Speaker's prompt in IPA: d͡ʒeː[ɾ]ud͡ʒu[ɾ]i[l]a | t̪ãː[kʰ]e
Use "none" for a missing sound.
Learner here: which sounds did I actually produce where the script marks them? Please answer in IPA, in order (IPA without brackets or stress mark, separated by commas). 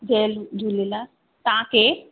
l, l, l, k